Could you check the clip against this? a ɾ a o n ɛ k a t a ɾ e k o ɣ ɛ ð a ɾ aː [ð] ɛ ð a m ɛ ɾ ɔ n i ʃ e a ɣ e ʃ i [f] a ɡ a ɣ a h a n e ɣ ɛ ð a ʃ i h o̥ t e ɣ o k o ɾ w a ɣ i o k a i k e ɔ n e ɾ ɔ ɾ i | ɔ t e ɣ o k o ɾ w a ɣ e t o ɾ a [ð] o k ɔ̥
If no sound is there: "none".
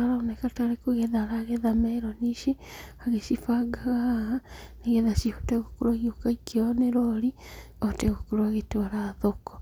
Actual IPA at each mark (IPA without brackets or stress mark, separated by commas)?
ɣ, f, ð